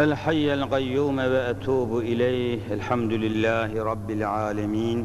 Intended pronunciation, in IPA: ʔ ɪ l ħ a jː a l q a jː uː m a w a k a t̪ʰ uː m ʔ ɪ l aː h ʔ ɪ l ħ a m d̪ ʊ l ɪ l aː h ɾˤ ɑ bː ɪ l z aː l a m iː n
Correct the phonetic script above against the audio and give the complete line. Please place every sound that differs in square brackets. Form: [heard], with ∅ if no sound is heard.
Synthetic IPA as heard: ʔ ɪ l ħ a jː a l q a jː uː m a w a [ʔ] a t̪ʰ uː [b] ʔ ɪ l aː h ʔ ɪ l ħ a m d̪ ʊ l ɪ [lː] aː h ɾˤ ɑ bː ɪ l [ʕ] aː l a m iː n

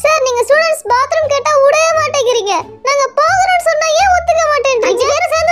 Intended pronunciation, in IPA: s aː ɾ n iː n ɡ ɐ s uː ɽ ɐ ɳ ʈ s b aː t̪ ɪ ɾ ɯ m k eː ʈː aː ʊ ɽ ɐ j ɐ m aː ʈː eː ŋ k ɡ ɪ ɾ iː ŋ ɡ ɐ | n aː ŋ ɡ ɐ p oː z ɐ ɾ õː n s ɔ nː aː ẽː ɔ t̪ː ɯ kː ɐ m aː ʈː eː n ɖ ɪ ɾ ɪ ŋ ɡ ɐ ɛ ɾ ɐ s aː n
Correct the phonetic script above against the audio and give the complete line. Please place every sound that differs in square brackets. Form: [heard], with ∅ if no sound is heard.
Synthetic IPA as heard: s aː ɾ n iː [ŋ] ɡ ɐ s uː ɽ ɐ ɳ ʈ s b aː t̪ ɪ ɾ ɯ m k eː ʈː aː ʊ ɽ ɐ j ɐ m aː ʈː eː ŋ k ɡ ɪ ɾ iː ŋ ɡ ɐ | n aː ŋ ɡ ɐ p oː [ɣ] ɐ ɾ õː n s ɔ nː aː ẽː ɔ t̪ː ɯ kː ɐ m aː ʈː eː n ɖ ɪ ɾ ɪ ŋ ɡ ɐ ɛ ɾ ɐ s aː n

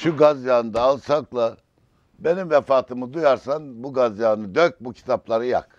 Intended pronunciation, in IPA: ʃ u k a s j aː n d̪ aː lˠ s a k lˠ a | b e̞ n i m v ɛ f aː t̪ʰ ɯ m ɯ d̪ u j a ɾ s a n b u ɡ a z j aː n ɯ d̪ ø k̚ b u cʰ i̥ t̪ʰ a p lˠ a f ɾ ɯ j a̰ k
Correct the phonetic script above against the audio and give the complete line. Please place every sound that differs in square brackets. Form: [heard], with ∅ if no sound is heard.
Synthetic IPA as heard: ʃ u [ɡ] a [z] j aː n d̪ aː lˠ s a k lˠ a | b e̞ n i m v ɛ f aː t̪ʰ ɯ m ɯ d̪ u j a ɾ s a n b u ɡ a z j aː n ɯ d̪ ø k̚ b u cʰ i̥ t̪ʰ a p lˠ a [∅] ɾ ɯ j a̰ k

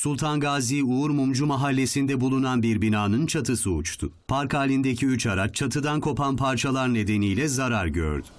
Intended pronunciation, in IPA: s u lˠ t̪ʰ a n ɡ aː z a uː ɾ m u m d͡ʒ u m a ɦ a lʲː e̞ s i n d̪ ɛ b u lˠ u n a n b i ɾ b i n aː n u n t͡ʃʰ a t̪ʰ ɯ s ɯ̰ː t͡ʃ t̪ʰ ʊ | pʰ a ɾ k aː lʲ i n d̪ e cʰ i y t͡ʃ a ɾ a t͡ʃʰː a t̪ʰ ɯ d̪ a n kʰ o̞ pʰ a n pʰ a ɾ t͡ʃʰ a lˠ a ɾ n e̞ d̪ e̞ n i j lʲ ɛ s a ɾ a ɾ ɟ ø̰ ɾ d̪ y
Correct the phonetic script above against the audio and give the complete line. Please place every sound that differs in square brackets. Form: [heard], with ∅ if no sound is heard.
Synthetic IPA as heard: s u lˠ t̪ʰ a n ɡ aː z [i] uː ɾ m u m d͡ʒ u m a ɦ a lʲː e̞ s i n d̪ ɛ b u lˠ u n a n b i ɾ b i n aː n [ɯ] n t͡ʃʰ a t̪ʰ ɯ s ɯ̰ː t͡ʃ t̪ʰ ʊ | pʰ a ɾ k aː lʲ i n d̪ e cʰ i y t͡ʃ a ɾ a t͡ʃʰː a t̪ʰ ɯ d̪ a n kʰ o̞ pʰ a n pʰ a ɾ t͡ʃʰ a lˠ a ɾ n e̞ d̪ e̞ n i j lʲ ɛ [z] a ɾ a ɾ ɟ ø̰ ɾ d̪ y

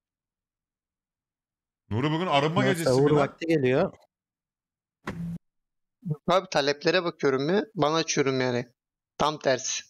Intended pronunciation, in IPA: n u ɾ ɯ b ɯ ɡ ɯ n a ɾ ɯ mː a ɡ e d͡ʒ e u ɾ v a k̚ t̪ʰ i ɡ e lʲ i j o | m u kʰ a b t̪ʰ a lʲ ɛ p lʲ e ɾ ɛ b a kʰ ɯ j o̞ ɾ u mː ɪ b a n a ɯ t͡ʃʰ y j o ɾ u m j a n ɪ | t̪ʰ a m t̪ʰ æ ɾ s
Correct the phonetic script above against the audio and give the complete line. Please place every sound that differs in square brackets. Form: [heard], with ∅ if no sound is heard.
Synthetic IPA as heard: n u ɾ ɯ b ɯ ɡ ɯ n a ɾ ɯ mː a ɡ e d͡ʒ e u ɾ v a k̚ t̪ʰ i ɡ e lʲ i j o | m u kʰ a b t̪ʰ a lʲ ɛ p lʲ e ɾ ɛ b a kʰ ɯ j o̞ ɾ u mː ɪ b a n a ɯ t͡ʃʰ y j o ɾ u m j a n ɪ | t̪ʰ a m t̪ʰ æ ɾ s

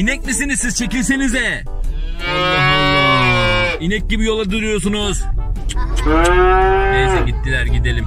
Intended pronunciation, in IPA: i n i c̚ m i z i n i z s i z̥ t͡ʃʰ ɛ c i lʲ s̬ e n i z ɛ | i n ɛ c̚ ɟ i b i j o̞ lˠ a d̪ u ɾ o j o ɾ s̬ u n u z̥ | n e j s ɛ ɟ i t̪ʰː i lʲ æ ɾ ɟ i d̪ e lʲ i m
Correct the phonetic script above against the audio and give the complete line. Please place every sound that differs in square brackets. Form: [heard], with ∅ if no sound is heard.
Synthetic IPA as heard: i n [ɛ] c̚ m i [s] i n i z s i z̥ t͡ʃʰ [e] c i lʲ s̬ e n i z ɛ | i n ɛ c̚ ɟ i b i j o̞ lˠ a d̪ u ɾ [u] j o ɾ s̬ u n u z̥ | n e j s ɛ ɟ i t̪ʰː i lʲ æ ɾ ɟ i d̪ e lʲ i m

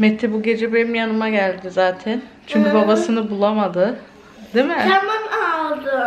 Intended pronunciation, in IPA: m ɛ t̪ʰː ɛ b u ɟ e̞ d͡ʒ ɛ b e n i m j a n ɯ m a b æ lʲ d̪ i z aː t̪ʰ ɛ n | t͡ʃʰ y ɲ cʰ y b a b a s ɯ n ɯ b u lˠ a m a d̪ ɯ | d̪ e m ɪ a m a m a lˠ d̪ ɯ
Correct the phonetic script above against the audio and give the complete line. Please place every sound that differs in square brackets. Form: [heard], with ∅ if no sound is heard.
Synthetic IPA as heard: m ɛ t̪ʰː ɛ b u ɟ e̞ d͡ʒ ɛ b e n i m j a n ɯ m a [ɟ] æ lʲ d̪ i z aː t̪ʰ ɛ n | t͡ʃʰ y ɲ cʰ y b a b a s ɯ n ɯ b u lˠ a m a d̪ ɯ | d̪ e m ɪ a m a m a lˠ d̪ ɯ

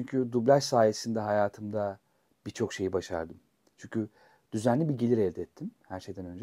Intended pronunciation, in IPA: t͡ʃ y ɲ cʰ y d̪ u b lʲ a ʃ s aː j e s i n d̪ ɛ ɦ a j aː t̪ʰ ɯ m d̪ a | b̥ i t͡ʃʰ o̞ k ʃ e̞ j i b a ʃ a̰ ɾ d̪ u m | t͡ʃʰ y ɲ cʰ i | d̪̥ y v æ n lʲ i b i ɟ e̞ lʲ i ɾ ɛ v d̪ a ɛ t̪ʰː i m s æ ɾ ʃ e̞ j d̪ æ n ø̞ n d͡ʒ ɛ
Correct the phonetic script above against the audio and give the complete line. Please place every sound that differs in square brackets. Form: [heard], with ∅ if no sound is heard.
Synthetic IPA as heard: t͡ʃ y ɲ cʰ y d̪ u b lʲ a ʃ s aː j e s i n d̪ ɛ ɦ a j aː t̪ʰ ɯ m d̪ a | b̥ i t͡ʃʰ o̞ k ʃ e̞ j i b a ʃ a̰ ɾ d̪ [ɯ] m | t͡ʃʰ y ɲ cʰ [y] | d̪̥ y [z] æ n lʲ i b i ɟ e̞ lʲ i ɾ ɛ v d̪ [ɛ] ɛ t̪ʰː i m [h] æ ɾ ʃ e̞ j d̪ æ n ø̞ n d͡ʒ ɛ

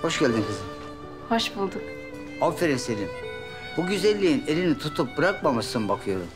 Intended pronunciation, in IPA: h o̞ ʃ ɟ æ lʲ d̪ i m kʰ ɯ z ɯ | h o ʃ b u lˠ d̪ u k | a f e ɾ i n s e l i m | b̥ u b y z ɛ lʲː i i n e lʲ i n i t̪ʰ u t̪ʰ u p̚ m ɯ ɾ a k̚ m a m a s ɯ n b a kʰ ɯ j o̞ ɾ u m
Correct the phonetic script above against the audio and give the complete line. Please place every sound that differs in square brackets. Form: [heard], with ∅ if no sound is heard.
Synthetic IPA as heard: h o̞ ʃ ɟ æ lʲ d̪ i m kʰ ɯ z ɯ | h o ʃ b u lˠ d̪ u k | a f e ɾ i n s e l i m | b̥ u [ɟ] y z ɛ lʲː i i n e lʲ i n i t̪ʰ u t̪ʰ u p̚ [b] ɯ ɾ a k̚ m a m a s ɯ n b a kʰ ɯ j o̞ ɾ u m

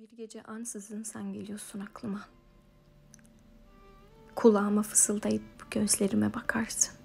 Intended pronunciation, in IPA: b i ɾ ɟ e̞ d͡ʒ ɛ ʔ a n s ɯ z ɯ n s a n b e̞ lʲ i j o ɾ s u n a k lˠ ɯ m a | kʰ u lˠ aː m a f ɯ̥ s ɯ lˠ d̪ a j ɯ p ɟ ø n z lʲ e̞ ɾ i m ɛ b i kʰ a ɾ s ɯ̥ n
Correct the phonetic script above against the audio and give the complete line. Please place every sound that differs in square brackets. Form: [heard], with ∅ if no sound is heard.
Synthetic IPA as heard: b i ɾ ɟ e̞ d͡ʒ ɛ ʔ a n s ɯ z ɯ n s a n [ɟ] e̞ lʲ i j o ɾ s u n a k lˠ ɯ m a | kʰ u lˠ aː m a f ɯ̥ s ɯ lˠ d̪ a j ɯ p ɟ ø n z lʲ e̞ ɾ i m ɛ b [a] kʰ a ɾ s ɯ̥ n

